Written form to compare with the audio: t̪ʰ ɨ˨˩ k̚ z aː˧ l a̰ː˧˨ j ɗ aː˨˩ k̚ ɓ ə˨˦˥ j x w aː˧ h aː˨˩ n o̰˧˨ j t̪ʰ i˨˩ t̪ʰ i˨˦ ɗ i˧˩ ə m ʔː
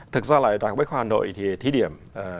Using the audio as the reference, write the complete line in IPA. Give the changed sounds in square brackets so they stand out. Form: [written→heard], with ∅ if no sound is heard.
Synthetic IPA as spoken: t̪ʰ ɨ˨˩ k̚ z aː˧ l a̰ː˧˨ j ɗ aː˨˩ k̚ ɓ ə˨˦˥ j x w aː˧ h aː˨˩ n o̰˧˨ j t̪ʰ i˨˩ t̪ʰ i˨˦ ɗ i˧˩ ə m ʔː